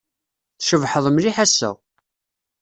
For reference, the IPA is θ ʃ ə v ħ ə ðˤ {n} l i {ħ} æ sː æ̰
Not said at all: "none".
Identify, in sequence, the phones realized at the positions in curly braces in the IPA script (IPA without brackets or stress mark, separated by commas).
m, ħ